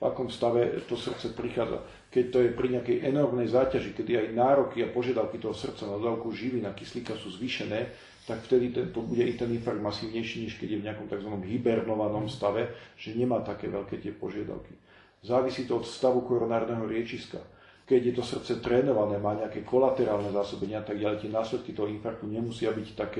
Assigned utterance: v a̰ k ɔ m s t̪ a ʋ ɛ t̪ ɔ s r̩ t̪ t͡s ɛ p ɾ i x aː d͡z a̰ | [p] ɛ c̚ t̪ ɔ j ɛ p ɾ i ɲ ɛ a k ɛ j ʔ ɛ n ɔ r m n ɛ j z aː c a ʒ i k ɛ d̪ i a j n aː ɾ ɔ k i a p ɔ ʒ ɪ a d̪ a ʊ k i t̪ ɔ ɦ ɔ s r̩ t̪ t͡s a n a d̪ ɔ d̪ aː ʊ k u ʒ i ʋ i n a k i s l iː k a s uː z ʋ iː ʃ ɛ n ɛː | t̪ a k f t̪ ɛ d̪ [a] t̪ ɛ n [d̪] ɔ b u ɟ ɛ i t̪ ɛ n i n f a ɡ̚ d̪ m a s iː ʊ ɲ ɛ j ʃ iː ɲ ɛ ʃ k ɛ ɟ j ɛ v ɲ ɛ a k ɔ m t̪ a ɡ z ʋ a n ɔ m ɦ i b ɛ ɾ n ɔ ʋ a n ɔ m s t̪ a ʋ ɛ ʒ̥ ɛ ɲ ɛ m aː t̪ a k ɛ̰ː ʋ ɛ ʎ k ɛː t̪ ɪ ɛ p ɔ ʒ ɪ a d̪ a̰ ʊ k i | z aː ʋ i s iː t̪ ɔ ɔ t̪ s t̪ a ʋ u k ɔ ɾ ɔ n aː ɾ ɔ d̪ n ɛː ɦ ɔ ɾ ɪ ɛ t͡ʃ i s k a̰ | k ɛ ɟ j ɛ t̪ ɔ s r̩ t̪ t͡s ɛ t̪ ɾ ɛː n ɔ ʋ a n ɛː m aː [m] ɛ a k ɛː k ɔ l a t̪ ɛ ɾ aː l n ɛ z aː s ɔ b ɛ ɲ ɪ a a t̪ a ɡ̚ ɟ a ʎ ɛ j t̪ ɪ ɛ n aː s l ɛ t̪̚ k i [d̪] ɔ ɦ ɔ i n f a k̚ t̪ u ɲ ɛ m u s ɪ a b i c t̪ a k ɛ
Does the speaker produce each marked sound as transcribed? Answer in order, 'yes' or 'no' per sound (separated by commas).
no, no, no, no, no